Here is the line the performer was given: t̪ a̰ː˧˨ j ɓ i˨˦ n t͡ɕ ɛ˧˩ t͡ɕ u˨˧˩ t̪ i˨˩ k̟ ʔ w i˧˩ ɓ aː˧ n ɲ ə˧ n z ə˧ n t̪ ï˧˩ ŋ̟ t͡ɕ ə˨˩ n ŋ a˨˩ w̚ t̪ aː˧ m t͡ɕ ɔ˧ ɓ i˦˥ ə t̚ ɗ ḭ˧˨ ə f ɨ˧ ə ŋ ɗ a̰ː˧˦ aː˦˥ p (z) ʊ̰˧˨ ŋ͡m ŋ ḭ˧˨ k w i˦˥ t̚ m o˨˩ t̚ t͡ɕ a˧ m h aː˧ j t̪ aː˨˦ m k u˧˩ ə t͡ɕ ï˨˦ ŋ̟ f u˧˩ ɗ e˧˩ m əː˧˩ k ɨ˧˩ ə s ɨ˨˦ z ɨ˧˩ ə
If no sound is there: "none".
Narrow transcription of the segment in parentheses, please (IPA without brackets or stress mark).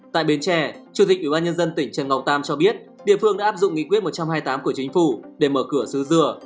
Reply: z